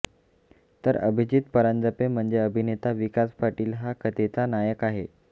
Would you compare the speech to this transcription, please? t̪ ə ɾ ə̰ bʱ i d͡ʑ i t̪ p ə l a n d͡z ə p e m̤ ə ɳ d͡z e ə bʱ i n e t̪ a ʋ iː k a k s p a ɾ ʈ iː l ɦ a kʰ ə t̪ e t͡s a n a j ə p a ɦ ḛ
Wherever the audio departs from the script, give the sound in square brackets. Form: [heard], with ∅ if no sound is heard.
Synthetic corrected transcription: t̪ ə ɾ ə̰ bʱ i d͡ʑ i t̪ p ə [ɾ] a n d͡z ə p e m̤ ə ɳ d͡z e ə bʱ i n e t̪ a ʋ [i] k a [∅] s p a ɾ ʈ iː l ɦ a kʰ ə t̪ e t͡s a n a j ə [k] a ɦ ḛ